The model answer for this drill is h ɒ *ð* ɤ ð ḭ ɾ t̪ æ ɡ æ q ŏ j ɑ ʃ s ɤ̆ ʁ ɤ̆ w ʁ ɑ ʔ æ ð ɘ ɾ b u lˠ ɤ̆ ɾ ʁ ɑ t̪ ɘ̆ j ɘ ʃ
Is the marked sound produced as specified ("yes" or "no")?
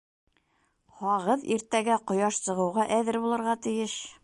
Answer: no